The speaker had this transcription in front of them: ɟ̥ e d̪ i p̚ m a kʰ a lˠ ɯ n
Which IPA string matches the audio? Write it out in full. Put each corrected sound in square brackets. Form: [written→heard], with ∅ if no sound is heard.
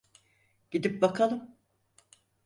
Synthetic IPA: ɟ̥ [e→i] d̪ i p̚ [m→b] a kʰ a lˠ ɯ [n→m]